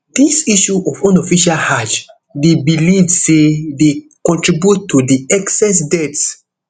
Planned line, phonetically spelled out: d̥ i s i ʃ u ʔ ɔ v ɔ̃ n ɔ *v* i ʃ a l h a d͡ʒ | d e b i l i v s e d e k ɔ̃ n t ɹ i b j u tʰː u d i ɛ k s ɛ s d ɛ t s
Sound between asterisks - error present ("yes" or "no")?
yes